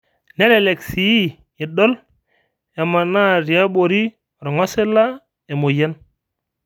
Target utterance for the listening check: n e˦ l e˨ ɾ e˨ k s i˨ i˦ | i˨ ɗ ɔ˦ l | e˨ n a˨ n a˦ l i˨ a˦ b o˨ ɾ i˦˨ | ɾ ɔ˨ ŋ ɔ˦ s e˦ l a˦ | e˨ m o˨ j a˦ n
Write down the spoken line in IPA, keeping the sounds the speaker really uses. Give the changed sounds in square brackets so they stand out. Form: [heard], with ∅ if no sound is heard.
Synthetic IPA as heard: n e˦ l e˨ [l] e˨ k s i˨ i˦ | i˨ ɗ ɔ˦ l | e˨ [m] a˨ n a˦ [ɾ] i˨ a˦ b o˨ ɾ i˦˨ | ɾ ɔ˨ ŋ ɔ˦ s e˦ l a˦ | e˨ m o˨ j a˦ n

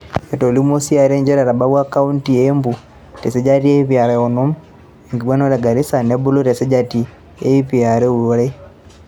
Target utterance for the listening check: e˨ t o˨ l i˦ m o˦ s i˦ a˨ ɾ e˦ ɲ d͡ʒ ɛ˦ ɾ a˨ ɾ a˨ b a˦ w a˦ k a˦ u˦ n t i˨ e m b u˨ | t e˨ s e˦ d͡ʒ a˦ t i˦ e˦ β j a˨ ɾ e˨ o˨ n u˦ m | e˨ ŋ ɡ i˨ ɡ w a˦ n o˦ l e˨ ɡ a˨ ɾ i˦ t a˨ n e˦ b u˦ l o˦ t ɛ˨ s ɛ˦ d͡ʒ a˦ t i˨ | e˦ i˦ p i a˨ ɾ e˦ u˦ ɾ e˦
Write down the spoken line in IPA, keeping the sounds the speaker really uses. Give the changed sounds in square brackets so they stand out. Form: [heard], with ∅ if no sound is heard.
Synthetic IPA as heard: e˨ t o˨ l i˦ m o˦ s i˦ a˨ ɾ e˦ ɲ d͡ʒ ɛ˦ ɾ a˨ ɾ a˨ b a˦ w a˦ k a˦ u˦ n t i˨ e m b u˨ | t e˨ s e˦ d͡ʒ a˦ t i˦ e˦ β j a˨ ɾ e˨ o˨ n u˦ m | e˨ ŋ ɡ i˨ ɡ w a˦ n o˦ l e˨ ɡ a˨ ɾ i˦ [s] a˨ n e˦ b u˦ l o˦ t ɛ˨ s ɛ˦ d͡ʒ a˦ t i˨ | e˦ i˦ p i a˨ ɾ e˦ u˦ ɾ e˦

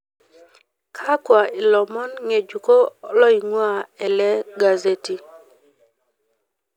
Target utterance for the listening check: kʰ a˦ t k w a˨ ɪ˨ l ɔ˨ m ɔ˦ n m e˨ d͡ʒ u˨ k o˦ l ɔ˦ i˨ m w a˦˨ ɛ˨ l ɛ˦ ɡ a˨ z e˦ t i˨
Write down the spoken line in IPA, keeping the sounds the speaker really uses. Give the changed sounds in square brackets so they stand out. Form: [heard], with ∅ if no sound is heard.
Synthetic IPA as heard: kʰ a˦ [∅] k w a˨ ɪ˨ l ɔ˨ m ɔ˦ n [ŋ] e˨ d͡ʒ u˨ k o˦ l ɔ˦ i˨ [ŋ] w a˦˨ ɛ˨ l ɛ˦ ɡ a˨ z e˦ t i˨

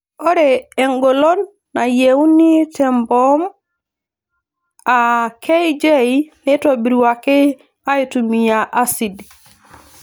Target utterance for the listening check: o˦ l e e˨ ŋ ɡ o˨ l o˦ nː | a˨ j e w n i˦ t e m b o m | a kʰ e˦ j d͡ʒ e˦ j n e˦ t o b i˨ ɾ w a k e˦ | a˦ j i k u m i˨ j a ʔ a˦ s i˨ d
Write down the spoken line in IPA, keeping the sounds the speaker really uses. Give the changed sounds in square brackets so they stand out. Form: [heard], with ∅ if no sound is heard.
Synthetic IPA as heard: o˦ [ɾ] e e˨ ŋ ɡ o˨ l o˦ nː | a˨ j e w n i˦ t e m b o m | a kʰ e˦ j d͡ʒ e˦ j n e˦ t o b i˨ ɾ w a k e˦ | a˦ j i [t] u m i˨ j a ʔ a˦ s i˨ d

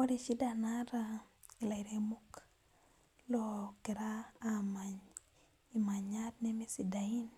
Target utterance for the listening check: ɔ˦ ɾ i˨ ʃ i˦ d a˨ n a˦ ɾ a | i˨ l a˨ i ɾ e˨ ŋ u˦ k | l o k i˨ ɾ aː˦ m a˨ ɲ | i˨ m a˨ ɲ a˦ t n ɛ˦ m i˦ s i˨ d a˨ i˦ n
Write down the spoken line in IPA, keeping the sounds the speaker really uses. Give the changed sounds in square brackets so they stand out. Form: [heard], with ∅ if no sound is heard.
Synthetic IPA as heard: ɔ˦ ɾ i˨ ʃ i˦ d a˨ n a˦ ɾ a | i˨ l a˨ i ɾ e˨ [m] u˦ k | l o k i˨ ɾ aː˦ m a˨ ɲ | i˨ m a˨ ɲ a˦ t n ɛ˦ m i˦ s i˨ d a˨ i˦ n

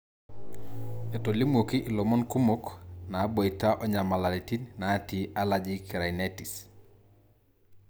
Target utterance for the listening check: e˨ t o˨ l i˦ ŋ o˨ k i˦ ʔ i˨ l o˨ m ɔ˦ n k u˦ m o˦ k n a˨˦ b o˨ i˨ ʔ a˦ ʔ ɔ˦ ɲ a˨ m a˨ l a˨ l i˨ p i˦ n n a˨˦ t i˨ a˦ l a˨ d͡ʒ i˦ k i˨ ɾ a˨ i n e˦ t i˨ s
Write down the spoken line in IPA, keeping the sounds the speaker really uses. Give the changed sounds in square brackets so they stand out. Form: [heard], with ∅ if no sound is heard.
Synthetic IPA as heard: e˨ t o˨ l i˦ [m] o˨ k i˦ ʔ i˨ l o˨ m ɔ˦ n k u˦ m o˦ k n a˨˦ b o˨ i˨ [t] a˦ ʔ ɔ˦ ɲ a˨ m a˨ l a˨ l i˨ [t] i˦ n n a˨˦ t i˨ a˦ l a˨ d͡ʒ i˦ k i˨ ɾ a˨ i n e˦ t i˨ s

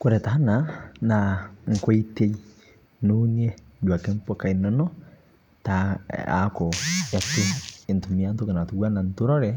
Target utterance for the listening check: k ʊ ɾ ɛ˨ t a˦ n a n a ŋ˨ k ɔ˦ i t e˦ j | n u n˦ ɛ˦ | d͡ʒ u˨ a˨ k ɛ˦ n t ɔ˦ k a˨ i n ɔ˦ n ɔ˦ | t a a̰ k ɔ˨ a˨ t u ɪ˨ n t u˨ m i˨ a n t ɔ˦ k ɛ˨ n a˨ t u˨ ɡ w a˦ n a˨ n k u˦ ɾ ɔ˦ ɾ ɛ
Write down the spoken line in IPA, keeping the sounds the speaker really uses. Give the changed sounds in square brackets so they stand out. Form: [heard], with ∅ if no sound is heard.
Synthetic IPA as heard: k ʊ ɾ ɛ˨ t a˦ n a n a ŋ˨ k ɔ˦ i t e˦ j | n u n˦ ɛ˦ | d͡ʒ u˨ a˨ k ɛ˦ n [p] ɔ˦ k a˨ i n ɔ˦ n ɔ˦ | t a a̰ k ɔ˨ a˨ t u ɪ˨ n t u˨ m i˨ a n t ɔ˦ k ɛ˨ n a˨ t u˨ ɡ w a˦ n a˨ n [t] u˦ ɾ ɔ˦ ɾ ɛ

